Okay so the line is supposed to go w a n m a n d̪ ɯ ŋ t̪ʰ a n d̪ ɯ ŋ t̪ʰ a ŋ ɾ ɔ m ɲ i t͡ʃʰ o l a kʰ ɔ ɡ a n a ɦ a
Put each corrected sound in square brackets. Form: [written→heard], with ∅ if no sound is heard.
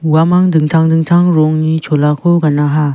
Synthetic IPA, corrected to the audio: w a [n→∅] m a [n→ŋ] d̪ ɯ ŋ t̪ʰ a [n→ŋ] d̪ ɯ ŋ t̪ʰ a ŋ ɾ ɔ [m→ŋ] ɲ i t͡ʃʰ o l a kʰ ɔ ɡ a n a ɦ a